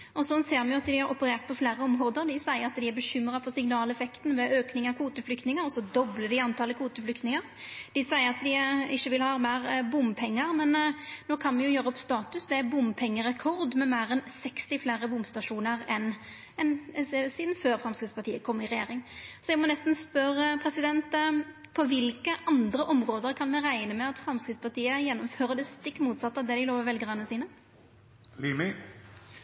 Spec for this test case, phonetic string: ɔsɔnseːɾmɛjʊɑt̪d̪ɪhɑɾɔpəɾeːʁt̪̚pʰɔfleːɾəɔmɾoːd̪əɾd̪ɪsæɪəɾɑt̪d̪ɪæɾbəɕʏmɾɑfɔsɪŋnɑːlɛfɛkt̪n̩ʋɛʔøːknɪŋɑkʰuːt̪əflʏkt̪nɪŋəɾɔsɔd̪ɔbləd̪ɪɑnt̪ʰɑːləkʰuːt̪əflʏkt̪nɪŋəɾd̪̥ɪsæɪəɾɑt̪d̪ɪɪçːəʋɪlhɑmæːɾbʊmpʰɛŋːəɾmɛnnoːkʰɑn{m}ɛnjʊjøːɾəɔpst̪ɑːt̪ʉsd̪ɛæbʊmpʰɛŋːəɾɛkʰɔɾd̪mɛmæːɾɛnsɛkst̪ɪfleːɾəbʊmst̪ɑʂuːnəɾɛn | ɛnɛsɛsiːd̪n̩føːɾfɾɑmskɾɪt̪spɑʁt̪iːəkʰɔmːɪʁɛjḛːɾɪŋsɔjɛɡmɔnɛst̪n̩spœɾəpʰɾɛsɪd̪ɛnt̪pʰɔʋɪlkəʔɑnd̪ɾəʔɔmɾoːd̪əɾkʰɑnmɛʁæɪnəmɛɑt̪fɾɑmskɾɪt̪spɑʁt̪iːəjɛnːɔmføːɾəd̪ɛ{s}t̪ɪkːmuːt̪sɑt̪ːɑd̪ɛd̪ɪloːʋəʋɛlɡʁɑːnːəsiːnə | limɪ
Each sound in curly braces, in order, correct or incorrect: correct, correct

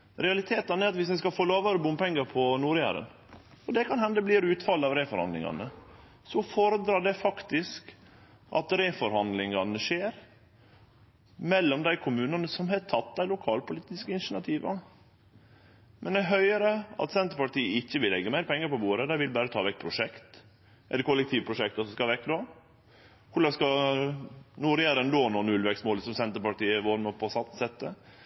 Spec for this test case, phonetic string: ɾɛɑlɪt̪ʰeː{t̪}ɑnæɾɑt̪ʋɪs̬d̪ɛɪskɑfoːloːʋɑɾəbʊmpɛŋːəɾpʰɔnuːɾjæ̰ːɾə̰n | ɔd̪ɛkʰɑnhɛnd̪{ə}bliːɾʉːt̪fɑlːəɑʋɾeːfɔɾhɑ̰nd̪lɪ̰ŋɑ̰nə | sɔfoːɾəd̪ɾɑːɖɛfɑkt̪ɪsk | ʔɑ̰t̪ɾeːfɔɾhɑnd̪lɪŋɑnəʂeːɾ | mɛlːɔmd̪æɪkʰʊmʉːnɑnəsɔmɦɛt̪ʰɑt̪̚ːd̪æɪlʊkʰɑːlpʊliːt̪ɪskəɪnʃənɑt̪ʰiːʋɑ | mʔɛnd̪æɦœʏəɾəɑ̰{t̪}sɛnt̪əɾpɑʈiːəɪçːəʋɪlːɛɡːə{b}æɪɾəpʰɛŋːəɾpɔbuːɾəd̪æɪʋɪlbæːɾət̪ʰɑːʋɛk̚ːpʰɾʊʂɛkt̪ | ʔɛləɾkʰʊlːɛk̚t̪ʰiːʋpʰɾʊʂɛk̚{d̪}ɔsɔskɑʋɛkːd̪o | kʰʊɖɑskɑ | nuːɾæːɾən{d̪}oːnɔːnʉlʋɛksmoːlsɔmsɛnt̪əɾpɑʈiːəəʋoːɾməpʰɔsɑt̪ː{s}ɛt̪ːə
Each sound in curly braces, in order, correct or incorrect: correct, correct, correct, incorrect, incorrect, correct, correct

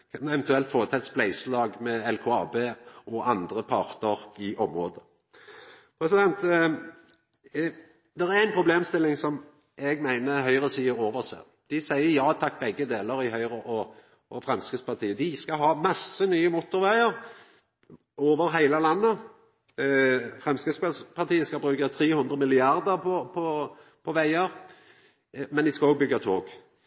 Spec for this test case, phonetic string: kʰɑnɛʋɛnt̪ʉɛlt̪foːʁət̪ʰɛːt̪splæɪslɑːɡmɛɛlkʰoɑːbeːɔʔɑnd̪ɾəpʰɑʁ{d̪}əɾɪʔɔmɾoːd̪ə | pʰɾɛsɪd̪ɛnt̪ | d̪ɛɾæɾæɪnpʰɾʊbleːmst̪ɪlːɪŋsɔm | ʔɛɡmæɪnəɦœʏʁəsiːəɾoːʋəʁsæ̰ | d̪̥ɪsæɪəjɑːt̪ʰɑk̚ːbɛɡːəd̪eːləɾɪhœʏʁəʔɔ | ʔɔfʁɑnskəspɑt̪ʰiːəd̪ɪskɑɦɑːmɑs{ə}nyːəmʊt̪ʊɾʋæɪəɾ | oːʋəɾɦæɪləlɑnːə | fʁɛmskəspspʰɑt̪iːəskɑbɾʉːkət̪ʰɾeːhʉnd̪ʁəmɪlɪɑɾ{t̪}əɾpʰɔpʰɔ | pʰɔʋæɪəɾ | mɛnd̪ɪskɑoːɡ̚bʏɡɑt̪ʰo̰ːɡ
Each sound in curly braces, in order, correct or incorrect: incorrect, correct, incorrect

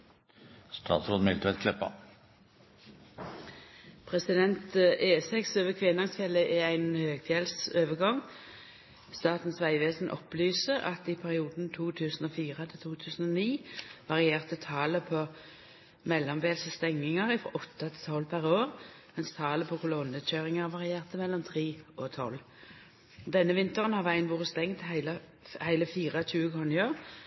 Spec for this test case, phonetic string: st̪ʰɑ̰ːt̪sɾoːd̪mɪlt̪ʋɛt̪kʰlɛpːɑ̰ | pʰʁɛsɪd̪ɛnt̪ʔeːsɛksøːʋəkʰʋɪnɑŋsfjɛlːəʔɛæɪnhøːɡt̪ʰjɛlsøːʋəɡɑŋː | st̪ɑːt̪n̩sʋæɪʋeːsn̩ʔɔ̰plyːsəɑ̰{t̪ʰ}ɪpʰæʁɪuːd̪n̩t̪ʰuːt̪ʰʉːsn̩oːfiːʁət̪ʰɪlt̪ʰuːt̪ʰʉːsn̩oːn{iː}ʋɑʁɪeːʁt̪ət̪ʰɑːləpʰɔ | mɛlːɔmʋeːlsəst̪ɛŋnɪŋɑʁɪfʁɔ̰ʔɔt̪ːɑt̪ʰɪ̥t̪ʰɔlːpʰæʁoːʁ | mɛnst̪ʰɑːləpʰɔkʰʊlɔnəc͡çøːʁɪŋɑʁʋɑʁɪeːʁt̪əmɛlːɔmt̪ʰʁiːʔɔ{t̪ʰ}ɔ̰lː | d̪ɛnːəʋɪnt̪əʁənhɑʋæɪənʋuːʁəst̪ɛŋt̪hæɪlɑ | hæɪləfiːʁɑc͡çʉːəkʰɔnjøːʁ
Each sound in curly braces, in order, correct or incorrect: incorrect, correct, correct

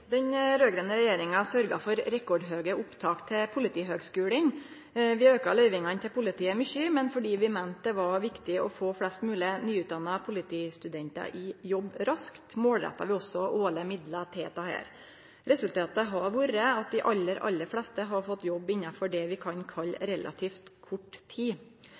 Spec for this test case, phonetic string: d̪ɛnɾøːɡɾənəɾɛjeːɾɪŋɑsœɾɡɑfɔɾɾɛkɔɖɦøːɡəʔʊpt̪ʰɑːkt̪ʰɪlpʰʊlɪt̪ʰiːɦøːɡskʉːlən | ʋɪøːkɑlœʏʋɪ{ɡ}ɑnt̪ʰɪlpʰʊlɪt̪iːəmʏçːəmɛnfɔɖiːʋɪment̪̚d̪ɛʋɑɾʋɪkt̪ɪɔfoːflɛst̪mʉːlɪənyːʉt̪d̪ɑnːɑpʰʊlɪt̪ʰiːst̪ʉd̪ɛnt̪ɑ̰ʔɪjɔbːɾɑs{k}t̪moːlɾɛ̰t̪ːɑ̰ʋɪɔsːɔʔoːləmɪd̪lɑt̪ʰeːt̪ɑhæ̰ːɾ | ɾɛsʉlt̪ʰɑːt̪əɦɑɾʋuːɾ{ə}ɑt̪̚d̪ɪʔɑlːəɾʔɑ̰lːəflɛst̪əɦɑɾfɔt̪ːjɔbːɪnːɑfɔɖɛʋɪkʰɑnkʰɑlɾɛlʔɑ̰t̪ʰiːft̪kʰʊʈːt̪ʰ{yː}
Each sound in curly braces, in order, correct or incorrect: incorrect, correct, correct, incorrect

